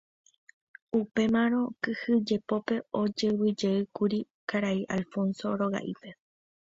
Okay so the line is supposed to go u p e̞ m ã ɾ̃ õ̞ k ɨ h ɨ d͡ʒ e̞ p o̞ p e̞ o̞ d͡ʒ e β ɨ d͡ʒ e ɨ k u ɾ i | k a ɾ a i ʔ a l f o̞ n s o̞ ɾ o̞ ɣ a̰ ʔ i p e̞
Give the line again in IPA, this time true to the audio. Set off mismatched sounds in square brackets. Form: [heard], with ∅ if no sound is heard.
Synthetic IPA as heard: u p e̞ m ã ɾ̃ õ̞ k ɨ h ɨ d͡ʒ e̞ p o̞ p e̞ o̞ d͡ʒ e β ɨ d͡ʒ e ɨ k u ɾ i | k a ɾ a i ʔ a l f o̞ n s o̞ ɾ o̞ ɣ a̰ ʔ i p e̞